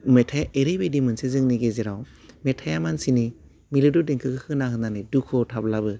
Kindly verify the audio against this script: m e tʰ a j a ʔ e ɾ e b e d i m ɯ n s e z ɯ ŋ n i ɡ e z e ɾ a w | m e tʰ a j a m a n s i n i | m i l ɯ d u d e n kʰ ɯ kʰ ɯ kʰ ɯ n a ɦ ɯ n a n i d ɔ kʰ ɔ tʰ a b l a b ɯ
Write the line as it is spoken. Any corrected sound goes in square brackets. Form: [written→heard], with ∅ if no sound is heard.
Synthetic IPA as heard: m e tʰ a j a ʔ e ɾ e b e d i m ɯ n s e z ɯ ŋ n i ɡ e z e ɾ a w | m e tʰ a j a m a n s i n i | m i l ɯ d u d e [n→ŋ] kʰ ɯ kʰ ɯ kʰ ɯ n a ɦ ɯ n a n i d [ɔ→u] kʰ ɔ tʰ a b l a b ɯ